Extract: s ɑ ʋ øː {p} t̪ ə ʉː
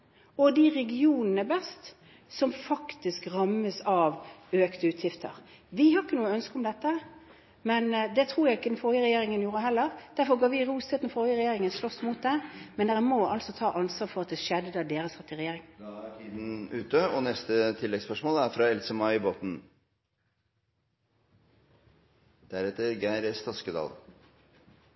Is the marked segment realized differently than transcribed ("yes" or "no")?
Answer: yes